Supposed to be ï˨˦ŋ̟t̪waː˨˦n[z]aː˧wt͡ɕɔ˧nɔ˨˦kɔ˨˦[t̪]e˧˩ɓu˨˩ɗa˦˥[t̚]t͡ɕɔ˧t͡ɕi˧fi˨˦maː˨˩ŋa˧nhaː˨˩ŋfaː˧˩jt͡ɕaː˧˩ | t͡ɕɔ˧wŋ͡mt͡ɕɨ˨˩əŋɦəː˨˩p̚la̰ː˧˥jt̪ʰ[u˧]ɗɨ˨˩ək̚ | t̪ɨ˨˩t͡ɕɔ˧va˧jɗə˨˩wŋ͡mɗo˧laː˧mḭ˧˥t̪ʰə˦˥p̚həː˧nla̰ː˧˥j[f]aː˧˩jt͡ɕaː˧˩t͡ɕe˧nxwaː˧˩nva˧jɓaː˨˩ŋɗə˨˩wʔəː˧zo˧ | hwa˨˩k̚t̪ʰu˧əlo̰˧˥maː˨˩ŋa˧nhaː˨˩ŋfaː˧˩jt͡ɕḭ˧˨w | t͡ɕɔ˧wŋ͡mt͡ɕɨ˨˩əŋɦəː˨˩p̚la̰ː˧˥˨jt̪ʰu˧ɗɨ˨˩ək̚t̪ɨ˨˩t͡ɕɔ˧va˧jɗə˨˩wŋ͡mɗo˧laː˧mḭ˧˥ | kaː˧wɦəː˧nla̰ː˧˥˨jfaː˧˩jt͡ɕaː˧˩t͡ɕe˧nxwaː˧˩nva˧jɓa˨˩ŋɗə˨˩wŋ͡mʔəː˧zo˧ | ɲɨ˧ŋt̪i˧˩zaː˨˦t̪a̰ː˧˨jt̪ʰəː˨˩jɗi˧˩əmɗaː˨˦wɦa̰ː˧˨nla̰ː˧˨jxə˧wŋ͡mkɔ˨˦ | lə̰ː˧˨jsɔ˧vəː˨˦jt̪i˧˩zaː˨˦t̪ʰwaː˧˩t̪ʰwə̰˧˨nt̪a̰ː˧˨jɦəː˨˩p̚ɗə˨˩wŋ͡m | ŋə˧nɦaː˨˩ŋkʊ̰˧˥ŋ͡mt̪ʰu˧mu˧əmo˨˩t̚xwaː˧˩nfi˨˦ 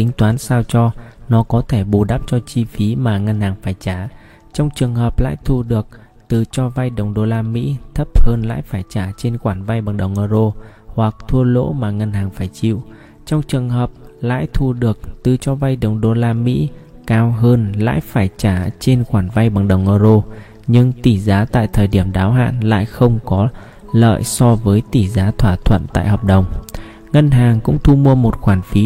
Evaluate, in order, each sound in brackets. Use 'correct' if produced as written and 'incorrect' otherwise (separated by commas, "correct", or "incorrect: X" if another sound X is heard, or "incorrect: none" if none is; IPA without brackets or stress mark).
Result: incorrect: s, incorrect: t̪ʰ, incorrect: p̚, correct, correct